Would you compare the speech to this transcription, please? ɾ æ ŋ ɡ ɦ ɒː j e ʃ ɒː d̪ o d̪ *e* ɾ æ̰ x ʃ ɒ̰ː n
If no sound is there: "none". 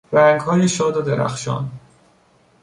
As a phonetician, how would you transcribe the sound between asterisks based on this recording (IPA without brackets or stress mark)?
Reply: e